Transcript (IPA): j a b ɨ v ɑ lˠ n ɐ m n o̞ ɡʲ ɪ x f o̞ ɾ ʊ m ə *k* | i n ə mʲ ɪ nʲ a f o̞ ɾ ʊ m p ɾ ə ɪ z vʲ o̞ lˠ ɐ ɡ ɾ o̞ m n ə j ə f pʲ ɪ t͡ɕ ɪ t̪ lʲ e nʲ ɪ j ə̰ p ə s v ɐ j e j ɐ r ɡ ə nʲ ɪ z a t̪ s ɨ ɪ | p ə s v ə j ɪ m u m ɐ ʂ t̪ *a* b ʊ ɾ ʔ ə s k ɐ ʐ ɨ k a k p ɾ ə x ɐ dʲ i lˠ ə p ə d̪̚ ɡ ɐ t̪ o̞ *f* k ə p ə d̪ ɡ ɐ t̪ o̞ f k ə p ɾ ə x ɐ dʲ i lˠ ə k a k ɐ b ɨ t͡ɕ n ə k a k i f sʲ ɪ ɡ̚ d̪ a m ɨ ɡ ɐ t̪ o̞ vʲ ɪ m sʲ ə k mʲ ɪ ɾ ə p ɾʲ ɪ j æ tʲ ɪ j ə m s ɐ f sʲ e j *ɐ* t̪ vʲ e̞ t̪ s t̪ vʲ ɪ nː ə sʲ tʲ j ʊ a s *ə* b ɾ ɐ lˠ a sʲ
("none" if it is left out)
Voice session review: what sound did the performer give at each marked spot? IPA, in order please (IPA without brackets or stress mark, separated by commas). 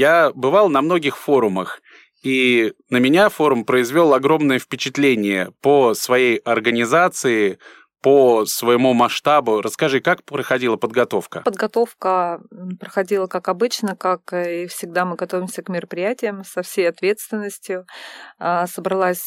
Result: x, a, f, ɐ, ə